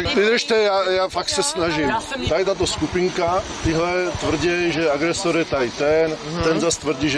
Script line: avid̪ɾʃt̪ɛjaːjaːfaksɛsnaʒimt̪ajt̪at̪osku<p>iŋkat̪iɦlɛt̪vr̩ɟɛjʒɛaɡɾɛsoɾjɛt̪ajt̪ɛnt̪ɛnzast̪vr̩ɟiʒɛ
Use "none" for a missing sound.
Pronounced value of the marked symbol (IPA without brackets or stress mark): p